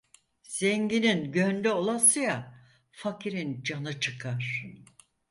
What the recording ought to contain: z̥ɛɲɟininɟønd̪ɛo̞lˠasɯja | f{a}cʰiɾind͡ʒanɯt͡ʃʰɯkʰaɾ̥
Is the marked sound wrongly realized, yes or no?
no